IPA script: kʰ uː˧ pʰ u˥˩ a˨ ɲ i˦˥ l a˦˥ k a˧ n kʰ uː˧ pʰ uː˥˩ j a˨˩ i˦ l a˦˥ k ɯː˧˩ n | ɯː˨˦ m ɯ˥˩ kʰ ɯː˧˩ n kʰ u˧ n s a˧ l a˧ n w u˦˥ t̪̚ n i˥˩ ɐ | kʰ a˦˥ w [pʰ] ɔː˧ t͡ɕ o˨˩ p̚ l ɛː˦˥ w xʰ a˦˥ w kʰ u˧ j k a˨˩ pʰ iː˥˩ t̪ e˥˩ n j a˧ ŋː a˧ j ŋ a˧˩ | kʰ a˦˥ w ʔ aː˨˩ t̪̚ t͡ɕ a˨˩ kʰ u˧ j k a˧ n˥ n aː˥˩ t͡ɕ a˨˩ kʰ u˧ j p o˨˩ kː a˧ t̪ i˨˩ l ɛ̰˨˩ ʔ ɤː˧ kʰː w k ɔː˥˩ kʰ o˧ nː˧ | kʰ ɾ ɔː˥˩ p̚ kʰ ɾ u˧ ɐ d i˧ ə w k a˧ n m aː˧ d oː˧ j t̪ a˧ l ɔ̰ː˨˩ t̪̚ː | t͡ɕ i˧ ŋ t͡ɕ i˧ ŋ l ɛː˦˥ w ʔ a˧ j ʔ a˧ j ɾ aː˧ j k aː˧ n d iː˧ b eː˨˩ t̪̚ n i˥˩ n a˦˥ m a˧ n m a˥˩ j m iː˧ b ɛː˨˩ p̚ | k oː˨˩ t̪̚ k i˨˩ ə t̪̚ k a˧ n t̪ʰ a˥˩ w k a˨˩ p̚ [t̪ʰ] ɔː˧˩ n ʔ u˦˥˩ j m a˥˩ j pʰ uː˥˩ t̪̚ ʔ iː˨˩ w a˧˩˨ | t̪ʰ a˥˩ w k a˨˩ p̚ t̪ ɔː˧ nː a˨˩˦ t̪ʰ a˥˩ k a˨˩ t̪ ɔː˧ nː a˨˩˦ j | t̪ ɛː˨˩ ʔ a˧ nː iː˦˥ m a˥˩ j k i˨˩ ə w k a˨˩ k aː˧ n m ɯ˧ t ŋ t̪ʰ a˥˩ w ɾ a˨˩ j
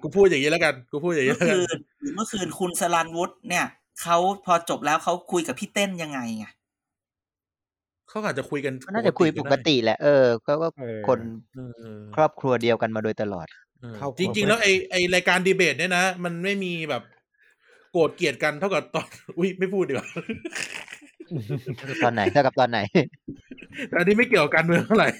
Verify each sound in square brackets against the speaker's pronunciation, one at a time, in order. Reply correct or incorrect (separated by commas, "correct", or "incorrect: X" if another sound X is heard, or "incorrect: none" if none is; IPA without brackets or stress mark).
correct, incorrect: t̪